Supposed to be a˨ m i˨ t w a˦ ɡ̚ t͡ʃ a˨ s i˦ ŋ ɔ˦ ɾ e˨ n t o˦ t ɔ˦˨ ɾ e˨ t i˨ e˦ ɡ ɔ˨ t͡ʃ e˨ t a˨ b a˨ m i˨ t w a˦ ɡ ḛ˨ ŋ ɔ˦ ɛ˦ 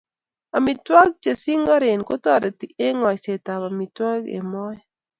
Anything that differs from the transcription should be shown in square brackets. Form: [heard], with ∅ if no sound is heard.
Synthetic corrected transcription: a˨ m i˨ t w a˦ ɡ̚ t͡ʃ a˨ s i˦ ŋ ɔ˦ ɾ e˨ n [k] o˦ t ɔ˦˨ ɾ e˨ t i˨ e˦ [ŋ] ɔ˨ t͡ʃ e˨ t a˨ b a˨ m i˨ t w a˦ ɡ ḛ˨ [m] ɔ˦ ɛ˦